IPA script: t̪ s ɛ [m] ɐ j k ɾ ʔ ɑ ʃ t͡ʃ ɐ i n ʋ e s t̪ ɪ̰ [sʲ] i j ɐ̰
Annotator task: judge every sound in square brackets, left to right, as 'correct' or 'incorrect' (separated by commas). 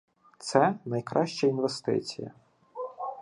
incorrect, incorrect